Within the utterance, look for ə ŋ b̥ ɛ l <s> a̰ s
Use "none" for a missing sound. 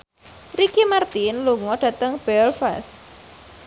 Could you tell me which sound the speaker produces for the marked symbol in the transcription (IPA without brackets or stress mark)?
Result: f